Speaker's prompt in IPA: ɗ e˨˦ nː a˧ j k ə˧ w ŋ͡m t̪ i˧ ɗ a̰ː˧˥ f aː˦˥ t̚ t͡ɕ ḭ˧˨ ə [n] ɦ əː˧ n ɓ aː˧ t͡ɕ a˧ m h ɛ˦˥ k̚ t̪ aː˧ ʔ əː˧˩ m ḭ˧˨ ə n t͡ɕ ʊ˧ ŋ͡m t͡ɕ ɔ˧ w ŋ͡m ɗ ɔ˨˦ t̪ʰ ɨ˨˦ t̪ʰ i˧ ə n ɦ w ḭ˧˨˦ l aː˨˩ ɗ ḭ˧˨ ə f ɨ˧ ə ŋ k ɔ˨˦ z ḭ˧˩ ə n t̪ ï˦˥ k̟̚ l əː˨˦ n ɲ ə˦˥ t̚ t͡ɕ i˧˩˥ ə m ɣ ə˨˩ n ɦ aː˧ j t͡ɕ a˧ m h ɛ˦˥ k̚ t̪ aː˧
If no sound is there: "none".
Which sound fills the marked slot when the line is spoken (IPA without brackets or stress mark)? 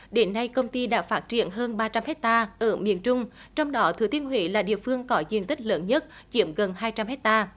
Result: n